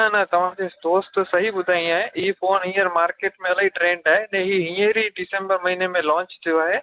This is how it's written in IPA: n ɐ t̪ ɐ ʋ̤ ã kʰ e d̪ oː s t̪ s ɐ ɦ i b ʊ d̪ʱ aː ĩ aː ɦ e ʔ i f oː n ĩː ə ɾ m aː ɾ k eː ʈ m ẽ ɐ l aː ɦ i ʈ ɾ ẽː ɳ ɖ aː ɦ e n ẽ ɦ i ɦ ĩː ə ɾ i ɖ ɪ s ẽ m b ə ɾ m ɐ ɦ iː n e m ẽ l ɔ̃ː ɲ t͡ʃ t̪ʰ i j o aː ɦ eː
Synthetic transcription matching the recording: n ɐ t̪ ɐ ʋ̤ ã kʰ e d̪ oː s t̪ s ɐ ɦ i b ʊ d̪ʱ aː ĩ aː ɦ e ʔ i f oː n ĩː ə ɾ m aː ɾ k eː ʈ m ẽ ɐ l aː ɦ i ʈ ɾ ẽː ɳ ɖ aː ɦ e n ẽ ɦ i ɦ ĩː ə ɾ i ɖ ɪ s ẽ m b ə ɾ m ɐ ɦ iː n e m ẽ l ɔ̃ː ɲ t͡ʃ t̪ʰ i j o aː ɦ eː